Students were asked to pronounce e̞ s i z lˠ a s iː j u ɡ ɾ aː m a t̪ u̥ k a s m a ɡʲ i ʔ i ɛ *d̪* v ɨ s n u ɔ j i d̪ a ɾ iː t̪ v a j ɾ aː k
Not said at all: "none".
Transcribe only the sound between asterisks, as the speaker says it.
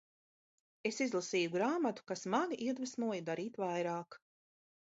d̪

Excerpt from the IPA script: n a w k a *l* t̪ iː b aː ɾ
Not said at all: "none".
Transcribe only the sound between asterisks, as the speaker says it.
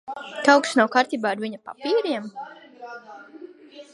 ɾ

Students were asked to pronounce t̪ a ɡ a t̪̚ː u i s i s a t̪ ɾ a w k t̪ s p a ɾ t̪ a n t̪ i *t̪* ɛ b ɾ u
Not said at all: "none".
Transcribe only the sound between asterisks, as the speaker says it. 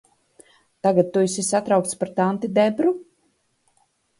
d̪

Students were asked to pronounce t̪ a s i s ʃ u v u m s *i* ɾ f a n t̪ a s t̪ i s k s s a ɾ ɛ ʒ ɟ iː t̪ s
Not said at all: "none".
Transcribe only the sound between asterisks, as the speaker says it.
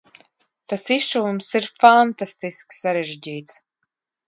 i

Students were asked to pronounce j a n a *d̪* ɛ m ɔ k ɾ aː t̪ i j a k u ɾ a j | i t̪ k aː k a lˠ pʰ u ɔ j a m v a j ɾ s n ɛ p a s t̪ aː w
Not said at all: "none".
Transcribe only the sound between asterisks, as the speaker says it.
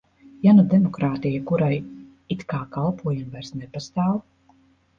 d̪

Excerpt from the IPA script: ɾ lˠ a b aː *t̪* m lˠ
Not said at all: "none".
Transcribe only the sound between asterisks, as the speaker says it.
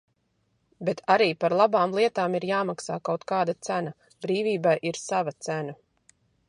none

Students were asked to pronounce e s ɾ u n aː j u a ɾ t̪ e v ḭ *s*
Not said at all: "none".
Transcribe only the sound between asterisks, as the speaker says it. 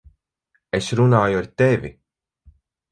none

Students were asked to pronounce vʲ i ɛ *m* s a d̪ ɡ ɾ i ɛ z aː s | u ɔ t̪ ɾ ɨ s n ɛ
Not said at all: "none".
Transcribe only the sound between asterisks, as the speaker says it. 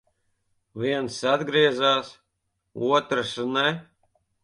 n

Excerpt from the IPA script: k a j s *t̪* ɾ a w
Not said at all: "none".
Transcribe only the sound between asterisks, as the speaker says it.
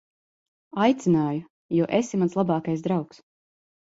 d̪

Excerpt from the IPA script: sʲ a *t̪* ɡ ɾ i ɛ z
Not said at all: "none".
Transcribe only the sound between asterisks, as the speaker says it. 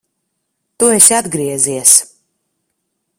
d̪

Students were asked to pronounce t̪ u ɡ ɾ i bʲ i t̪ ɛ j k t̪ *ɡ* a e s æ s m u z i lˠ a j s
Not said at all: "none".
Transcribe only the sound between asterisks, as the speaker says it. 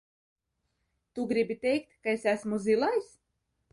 k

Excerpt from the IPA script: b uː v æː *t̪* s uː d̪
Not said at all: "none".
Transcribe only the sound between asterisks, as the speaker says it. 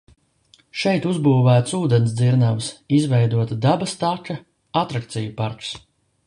t̪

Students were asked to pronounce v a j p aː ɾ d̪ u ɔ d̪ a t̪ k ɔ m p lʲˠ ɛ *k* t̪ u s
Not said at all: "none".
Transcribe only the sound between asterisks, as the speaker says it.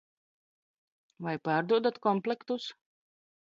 k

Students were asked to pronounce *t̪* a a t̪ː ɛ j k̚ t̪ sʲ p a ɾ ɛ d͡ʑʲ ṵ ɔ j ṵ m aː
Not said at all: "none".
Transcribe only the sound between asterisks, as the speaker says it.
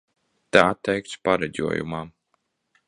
t̪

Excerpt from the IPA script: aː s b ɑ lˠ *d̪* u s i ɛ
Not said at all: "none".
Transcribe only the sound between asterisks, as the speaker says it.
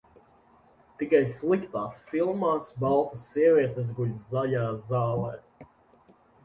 t̪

